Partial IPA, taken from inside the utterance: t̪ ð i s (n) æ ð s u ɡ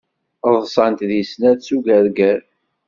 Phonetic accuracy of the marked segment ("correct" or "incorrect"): correct